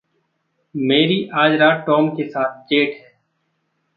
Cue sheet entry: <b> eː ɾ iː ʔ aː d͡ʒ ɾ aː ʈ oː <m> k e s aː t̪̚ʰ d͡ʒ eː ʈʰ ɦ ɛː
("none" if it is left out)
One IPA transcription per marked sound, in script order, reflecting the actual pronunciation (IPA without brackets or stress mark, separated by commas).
m, m